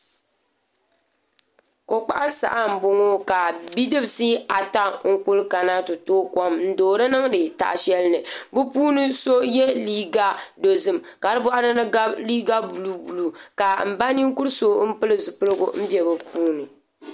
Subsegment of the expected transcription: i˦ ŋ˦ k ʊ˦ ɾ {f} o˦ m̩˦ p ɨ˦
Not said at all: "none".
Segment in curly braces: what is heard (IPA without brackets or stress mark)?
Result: s